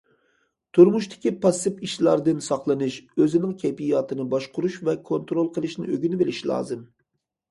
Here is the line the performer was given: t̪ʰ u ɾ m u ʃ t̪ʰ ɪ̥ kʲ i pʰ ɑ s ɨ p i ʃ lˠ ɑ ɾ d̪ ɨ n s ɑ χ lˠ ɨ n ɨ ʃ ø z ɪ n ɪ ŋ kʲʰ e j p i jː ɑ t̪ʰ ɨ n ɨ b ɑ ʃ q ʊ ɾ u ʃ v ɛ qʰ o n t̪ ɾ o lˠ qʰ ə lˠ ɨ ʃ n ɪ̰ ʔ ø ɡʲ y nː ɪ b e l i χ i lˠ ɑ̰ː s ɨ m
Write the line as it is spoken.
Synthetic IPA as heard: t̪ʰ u ɾ m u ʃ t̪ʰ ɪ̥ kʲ i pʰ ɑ s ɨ p i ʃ lˠ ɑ ɾ d̪ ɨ n s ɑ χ lˠ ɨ n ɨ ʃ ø z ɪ n ɪ ŋ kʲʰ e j p i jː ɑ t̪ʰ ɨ n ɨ b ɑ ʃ q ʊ ɾ u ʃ v ɛ kʰ o n t̪ ɾ o lˠ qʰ ə lˠ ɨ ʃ n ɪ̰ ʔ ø ɡʲ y n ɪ b e l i ʃ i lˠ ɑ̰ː z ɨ m